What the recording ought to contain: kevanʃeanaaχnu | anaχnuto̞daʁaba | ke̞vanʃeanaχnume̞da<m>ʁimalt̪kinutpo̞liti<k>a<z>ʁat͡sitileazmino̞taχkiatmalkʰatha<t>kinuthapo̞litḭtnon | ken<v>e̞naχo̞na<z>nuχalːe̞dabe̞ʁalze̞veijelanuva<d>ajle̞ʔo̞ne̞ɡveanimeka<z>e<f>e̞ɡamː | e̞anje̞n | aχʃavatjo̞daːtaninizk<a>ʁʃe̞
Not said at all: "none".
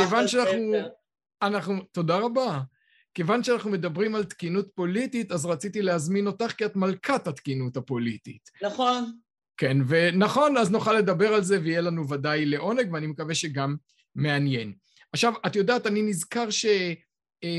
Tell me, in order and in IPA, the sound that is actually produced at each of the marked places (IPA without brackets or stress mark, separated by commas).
b, t, z, t, v, z, d, v, ʃ, a